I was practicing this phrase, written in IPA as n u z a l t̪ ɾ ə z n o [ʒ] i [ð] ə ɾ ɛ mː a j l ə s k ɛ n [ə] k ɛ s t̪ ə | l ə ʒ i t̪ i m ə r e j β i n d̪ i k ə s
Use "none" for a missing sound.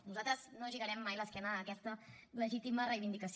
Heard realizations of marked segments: ʒ, ɣ, əː

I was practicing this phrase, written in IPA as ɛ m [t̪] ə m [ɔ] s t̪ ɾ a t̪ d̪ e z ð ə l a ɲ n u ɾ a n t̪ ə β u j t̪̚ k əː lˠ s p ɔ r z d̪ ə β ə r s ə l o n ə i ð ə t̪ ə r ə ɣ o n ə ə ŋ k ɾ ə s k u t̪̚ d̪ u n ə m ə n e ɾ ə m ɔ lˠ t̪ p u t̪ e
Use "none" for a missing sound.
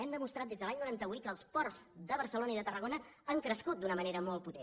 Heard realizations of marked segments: d̪, u

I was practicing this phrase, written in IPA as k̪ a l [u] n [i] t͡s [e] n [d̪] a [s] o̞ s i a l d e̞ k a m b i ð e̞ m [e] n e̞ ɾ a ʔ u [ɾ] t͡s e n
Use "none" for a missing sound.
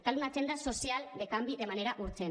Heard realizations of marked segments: u, a, e, d̪, s, a, ɾ

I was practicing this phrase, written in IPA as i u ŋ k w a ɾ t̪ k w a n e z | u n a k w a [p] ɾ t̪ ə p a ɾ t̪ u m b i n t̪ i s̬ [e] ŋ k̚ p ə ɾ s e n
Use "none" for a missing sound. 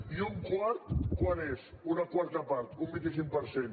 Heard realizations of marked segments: none, i

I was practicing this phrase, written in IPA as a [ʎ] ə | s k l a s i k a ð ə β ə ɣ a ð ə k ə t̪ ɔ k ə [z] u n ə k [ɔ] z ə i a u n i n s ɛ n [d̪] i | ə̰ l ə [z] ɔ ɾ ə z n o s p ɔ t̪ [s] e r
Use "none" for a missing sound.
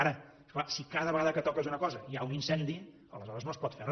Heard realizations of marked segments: ɾ, z, ɔ, d̪, z, f

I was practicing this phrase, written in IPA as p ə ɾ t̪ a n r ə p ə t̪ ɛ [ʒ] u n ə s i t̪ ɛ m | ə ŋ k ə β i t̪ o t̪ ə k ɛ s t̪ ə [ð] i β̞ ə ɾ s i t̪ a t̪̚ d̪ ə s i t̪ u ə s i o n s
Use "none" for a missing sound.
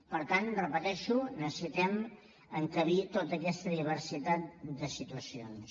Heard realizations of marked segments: ʃ, ð

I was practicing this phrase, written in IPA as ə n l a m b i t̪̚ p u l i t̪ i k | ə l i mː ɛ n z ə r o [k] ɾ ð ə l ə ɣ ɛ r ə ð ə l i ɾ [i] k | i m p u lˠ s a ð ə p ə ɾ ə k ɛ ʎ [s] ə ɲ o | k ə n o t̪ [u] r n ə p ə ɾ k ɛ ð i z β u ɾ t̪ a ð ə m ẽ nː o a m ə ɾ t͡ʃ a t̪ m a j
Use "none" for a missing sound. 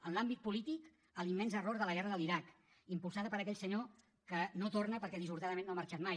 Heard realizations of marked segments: none, a, s, o

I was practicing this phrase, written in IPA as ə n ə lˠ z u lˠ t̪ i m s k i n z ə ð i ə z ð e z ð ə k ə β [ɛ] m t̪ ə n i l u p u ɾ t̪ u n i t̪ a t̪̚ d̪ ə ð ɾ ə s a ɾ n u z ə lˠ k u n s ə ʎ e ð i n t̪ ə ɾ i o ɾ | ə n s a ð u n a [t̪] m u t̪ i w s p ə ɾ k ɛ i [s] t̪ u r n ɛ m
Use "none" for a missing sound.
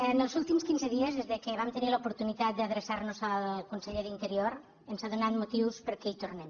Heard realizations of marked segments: a, t̪, none

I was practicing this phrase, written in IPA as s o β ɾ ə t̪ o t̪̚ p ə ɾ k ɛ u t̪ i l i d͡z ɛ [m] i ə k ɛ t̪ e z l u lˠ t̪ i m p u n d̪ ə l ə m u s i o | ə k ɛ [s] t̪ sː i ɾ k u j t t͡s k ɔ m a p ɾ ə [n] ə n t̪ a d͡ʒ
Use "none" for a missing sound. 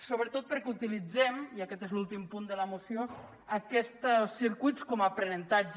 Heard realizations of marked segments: m, s, n

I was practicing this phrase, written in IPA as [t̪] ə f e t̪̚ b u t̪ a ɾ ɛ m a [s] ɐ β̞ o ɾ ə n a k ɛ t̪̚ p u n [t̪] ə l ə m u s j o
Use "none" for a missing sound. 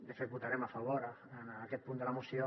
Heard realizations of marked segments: d̪, f, d̪

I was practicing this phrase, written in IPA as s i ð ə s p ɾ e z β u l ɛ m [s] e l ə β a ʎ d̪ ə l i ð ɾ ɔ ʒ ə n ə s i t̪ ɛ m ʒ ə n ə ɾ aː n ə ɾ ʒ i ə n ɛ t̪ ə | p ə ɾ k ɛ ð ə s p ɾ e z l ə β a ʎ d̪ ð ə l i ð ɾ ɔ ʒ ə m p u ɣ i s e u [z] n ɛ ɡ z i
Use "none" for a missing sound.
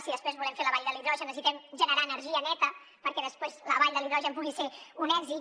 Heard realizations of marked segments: f, none

